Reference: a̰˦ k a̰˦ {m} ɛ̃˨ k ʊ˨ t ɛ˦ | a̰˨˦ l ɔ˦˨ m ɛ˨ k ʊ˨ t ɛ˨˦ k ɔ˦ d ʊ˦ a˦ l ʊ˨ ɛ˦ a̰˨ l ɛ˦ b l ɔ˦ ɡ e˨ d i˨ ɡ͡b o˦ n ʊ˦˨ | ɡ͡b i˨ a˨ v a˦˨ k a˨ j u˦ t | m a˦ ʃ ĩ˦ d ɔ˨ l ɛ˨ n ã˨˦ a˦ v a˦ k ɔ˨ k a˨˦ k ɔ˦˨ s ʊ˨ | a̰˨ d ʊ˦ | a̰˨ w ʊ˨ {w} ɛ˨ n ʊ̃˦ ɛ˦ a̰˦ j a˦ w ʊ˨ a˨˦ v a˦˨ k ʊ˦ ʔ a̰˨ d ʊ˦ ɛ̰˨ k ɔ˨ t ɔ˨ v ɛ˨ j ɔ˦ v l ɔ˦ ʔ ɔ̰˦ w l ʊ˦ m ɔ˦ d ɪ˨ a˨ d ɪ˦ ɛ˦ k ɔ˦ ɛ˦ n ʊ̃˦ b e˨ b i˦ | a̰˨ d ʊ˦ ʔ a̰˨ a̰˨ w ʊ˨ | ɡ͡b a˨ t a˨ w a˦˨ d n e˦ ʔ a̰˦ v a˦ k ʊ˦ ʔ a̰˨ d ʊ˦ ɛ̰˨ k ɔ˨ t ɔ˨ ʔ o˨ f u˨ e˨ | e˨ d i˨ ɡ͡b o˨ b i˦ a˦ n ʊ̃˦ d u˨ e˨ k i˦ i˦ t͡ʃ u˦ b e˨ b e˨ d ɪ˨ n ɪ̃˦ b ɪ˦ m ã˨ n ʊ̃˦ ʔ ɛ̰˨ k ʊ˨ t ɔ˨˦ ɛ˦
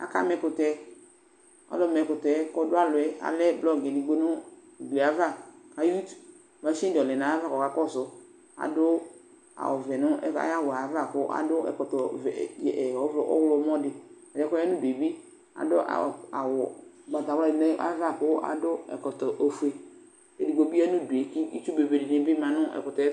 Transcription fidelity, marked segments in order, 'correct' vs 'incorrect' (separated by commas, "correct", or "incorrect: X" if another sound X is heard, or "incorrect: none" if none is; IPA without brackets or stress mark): correct, incorrect: v